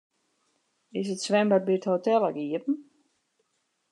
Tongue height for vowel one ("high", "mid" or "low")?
high